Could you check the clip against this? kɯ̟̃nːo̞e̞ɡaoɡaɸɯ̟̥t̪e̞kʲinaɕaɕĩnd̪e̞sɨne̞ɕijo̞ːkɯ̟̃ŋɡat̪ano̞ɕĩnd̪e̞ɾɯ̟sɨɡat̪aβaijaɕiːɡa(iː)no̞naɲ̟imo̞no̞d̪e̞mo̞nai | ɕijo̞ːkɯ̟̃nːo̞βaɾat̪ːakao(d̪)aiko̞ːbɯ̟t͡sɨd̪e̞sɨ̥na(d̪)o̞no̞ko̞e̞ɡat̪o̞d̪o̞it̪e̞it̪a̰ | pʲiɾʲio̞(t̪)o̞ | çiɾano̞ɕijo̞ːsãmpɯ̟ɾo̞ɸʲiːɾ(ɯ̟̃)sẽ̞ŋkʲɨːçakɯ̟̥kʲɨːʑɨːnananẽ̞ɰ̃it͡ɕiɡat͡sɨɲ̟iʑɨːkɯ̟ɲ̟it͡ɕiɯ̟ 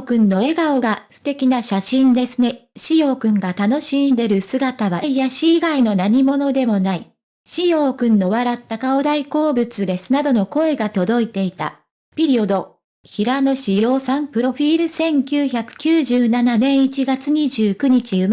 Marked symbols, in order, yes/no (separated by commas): no, yes, yes, no, no